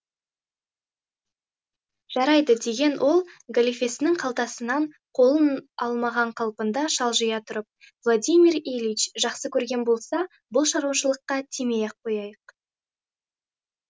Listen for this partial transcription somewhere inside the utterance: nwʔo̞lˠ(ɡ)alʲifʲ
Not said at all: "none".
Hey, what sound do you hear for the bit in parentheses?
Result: ɡ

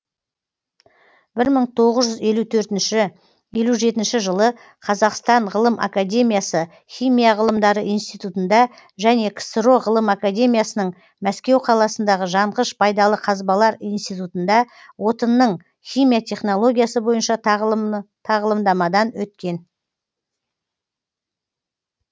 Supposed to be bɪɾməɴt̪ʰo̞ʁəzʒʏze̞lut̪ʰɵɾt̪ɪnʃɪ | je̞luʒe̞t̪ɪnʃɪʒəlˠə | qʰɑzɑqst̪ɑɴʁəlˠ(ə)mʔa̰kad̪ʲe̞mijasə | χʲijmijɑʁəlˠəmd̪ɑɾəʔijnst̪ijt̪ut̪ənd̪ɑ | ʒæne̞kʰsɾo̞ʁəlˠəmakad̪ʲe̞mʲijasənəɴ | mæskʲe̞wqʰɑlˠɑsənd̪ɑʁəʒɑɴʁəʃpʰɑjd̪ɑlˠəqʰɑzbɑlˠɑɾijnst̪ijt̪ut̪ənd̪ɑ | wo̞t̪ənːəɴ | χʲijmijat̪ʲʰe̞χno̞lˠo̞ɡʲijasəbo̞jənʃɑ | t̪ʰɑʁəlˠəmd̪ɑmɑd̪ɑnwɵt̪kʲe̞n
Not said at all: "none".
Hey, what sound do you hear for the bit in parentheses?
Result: ə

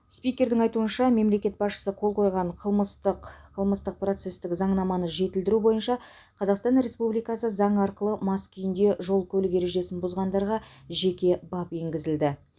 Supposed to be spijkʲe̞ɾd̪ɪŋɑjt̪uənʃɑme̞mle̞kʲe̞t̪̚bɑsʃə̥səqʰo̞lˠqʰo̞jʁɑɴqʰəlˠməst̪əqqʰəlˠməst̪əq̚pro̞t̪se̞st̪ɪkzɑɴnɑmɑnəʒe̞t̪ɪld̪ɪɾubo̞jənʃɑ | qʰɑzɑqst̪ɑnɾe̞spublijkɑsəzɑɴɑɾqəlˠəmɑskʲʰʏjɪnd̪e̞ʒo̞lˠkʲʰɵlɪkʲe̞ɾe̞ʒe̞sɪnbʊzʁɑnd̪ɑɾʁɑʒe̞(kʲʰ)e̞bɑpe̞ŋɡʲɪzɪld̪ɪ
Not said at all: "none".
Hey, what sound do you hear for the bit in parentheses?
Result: kʲ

